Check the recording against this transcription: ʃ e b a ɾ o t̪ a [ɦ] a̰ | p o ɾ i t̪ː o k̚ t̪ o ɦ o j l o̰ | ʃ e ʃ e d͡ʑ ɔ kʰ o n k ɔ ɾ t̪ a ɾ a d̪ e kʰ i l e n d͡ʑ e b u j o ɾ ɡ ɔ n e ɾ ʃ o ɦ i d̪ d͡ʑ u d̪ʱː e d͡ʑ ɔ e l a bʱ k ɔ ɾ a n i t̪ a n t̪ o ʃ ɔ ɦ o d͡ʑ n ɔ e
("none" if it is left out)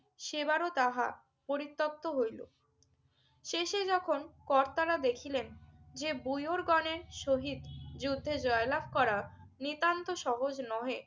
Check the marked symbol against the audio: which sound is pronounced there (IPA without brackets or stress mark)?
ɦ